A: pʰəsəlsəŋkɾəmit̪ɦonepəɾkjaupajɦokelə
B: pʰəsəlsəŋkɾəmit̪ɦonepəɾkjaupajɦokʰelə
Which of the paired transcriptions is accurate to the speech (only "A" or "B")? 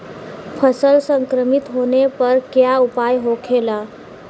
B